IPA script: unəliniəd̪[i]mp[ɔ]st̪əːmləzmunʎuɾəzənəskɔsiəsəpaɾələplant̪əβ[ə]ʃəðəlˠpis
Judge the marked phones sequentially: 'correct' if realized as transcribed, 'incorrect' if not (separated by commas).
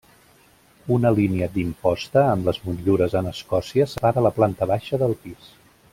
correct, correct, incorrect